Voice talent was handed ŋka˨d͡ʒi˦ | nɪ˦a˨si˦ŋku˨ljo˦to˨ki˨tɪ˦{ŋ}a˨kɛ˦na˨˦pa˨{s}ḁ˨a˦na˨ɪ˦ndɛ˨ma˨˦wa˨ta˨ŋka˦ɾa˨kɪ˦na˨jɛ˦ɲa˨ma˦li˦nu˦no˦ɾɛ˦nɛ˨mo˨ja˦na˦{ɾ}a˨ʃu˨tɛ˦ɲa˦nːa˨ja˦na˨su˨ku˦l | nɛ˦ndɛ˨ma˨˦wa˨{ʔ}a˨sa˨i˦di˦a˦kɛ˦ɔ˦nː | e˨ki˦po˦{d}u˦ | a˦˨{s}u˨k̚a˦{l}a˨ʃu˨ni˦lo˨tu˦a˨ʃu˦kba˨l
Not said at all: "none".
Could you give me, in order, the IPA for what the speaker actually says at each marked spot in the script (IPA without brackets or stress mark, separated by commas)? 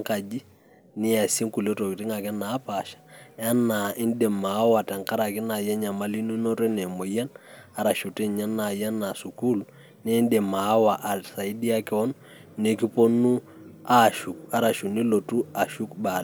ŋ, ʃ, ɾ, ʔ, n, ʃ, ɾ